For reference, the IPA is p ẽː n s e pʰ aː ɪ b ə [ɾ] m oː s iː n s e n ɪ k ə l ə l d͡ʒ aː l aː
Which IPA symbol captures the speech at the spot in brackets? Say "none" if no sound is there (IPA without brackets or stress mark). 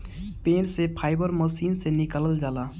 ɾ